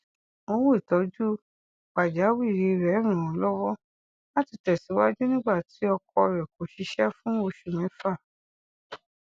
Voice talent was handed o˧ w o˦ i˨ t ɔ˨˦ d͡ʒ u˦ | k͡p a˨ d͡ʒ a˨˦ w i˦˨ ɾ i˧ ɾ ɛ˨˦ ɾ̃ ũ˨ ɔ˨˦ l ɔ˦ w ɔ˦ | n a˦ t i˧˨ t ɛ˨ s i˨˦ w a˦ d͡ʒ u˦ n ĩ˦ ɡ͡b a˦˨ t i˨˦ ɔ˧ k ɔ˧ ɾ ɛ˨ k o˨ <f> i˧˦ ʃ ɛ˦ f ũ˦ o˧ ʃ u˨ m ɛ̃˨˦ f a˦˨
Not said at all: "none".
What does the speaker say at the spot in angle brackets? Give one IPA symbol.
ʃ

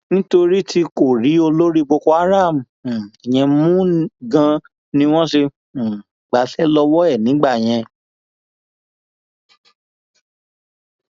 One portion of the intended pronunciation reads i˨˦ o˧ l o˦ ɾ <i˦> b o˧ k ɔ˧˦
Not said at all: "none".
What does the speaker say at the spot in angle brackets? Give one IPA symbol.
i˦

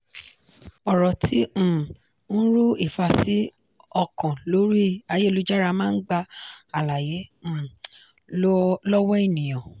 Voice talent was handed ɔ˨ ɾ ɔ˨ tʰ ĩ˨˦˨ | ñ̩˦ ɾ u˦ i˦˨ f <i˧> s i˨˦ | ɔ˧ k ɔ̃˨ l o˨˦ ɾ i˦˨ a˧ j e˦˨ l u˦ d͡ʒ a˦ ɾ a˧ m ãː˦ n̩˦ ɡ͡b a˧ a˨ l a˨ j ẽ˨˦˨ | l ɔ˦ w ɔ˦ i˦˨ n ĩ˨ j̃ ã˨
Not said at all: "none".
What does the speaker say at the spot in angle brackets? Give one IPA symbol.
a˧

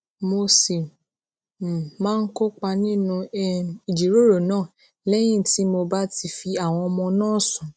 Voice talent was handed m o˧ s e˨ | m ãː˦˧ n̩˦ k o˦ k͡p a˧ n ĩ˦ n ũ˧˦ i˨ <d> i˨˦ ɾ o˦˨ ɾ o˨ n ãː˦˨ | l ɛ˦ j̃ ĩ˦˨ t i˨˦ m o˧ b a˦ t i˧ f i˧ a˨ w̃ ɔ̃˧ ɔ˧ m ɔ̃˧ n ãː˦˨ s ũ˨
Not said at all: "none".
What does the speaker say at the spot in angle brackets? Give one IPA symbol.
d͡ʒ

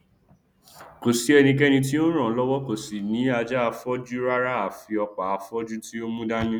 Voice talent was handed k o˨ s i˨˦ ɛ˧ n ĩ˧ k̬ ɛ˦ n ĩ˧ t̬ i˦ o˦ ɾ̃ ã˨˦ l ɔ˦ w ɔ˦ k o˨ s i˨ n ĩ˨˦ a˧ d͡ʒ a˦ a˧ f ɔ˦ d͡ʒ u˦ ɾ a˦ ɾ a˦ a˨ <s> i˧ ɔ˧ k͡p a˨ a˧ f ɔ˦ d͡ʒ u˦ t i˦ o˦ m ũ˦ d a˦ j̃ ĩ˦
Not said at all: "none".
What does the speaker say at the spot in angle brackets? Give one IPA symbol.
f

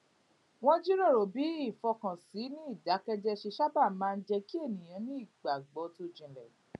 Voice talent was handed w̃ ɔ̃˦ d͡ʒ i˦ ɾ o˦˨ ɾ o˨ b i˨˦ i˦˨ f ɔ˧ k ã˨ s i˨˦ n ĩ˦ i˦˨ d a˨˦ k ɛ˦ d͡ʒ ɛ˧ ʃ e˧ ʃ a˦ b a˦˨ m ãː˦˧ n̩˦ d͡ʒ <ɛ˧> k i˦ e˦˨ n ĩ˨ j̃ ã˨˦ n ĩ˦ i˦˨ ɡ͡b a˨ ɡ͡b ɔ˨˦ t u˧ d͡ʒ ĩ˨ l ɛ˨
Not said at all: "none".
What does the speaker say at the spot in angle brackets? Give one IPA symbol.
ɛ˧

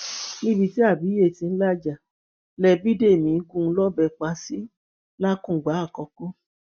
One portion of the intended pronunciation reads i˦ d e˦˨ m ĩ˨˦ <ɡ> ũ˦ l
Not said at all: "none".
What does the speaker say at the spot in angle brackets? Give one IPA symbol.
ɡ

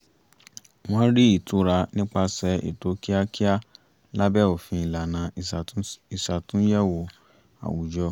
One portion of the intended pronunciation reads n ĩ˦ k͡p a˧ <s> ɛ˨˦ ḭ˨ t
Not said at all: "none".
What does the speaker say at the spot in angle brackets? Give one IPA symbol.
s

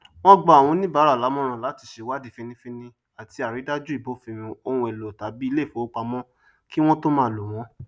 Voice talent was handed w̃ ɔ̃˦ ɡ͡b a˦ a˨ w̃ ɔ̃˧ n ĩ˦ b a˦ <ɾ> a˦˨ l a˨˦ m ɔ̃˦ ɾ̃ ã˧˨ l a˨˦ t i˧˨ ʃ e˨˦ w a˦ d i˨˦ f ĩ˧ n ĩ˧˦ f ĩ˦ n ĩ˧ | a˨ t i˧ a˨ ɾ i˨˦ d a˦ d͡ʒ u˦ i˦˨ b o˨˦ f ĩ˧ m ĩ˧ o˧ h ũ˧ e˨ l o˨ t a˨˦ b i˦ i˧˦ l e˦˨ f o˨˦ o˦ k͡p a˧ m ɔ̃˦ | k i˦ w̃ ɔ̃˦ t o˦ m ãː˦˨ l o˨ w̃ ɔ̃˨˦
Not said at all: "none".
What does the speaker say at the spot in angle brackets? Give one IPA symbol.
ɾ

